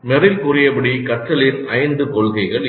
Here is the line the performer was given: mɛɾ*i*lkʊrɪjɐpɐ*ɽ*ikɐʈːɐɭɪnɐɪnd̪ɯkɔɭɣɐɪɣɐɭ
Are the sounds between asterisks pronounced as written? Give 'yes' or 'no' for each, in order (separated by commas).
no, yes